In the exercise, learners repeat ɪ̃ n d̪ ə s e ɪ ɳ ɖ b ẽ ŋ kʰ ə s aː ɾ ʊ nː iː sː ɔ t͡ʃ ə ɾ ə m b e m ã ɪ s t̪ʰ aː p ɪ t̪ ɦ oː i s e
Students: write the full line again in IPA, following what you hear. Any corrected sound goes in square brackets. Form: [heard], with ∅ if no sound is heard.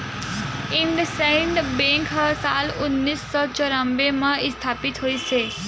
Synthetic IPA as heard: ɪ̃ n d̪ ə s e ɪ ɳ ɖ b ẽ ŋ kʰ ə s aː [l] ʊ nː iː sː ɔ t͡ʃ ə ɾ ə m b e m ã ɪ s t̪ʰ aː p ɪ t̪ ɦ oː i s e